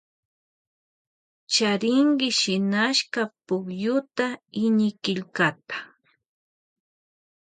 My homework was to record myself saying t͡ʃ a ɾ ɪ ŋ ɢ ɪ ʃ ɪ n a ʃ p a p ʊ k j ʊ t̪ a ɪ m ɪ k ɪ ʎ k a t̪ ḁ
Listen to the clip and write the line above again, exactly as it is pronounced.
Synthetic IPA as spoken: t͡ʃ a ɾ ɪ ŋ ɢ ɪ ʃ ɪ n a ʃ k a p ʊ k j ʊ t̪ a ɪ ɲ ɪ k ɪ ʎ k a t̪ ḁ